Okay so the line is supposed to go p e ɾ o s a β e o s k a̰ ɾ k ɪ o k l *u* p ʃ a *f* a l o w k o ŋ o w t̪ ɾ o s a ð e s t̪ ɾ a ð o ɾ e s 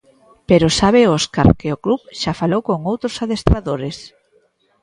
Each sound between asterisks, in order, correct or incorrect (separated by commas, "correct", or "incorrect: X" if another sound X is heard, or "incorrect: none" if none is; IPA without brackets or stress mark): correct, correct